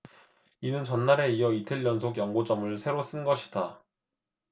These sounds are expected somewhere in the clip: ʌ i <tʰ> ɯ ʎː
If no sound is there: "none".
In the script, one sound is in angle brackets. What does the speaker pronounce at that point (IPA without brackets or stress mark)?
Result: tʰ